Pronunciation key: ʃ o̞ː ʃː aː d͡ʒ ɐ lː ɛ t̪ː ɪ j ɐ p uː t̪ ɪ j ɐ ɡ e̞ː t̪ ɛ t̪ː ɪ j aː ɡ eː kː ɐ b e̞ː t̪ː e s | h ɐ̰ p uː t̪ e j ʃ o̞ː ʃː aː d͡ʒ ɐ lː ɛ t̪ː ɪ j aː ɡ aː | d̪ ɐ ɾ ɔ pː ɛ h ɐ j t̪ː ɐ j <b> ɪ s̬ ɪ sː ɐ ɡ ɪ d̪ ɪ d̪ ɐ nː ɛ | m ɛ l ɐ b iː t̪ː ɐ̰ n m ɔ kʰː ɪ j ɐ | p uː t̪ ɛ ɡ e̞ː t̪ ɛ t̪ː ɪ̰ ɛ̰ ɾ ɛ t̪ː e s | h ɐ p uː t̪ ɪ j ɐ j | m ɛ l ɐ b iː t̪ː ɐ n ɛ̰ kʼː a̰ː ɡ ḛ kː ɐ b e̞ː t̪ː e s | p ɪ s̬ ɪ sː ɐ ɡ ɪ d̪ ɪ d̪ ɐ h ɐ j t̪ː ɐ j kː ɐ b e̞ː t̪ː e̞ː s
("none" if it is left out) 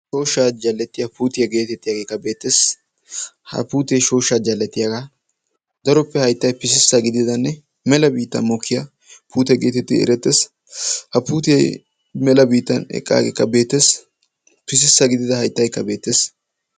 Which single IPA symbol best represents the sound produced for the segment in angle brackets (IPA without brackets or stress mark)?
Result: p